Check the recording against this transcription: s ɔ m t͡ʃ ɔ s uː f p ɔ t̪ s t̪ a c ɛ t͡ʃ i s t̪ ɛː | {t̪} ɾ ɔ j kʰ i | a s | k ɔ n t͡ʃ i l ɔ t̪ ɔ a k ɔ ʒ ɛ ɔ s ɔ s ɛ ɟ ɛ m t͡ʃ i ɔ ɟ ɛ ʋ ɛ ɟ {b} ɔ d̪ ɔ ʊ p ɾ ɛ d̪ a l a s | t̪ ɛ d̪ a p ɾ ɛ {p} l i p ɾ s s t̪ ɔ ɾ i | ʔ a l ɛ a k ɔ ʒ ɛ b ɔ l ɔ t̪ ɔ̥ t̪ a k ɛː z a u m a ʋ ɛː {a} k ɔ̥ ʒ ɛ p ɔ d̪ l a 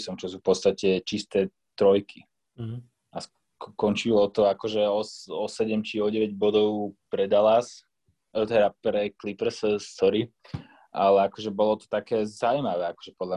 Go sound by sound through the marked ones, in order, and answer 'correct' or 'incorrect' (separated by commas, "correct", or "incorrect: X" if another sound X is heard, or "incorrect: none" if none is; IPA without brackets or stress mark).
correct, correct, incorrect: k, correct